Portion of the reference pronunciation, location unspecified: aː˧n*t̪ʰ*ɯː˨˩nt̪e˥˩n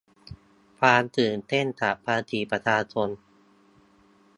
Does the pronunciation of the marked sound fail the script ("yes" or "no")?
yes